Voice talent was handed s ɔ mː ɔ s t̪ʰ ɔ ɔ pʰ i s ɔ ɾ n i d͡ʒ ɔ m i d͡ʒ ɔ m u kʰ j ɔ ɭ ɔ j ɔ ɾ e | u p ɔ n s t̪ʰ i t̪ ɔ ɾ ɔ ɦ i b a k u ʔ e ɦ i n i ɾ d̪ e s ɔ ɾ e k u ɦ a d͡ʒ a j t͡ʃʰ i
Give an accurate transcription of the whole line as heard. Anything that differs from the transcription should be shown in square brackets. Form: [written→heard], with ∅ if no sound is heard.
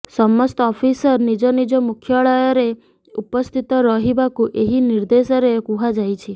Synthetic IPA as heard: s ɔ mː ɔ s [t̪ʰ→t̪] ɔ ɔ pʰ i s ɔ ɾ n i d͡ʒ ɔ [m→n] i d͡ʒ ɔ m u kʰ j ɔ ɭ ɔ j ɔ ɾ e | u p ɔ [n→∅] s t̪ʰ i t̪ ɔ ɾ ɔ ɦ i b a k u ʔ e ɦ i n i ɾ d̪ e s ɔ ɾ e k u ɦ a d͡ʒ a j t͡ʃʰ i